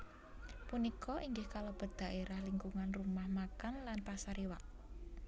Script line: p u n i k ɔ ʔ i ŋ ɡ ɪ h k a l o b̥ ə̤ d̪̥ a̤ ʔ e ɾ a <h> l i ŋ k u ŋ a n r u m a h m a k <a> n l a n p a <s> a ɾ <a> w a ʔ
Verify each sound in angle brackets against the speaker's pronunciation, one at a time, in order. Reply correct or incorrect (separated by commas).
correct, correct, correct, incorrect